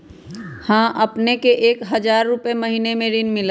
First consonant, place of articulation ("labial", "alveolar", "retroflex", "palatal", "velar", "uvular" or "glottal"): glottal